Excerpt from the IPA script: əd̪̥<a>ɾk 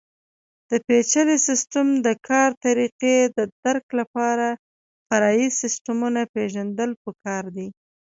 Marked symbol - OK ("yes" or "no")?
yes